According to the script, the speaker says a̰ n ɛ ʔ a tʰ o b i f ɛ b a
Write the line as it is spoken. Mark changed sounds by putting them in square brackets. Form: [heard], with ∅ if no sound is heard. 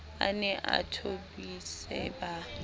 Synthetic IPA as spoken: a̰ n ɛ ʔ a tʰ o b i [s] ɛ b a